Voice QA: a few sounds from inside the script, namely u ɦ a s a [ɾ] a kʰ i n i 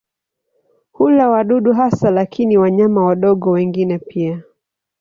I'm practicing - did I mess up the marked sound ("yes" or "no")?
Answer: yes